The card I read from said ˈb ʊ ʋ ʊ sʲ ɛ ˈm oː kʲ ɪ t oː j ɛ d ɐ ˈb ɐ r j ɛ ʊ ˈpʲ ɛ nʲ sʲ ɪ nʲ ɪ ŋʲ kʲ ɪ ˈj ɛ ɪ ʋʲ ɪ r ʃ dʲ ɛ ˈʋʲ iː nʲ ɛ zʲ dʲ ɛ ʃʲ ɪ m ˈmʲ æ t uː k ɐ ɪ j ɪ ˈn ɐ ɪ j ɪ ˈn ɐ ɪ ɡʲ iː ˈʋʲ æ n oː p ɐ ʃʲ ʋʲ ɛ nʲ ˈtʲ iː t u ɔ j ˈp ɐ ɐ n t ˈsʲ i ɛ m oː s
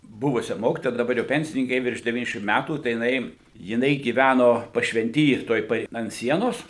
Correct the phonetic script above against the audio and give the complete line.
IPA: ˈb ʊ ʋ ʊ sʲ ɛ ˈm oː kʲ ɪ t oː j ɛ d ɐ ˈb ɐ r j ɛ ʊ ˈpʲ ɛ nʲ sʲ ɪ nʲ ɪ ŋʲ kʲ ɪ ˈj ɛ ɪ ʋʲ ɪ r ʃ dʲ ɛ ˈʋʲ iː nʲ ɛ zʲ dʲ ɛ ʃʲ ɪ m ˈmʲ æ t uː t ɐ ɪ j ɪ ˈn ɐ ɪ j ɪ ˈn ɐ ɪ ɡʲ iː ˈʋʲ æ n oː p ɐ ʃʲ ʋʲ ɛ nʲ ˈtʲ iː t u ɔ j ˈp ɐ ɐ n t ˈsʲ i ɛ n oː s